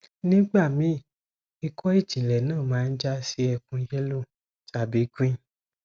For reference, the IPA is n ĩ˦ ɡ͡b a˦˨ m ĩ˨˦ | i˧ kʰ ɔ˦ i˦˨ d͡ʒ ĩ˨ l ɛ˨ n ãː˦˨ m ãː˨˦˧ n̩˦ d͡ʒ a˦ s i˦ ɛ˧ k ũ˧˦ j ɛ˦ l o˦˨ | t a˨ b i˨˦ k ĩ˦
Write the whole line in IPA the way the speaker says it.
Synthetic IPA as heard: n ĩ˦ ɡ͡b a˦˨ m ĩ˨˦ | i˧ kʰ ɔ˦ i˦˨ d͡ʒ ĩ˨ l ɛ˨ n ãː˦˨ m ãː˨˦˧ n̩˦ d͡ʒ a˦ s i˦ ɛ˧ k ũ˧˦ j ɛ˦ l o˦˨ | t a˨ b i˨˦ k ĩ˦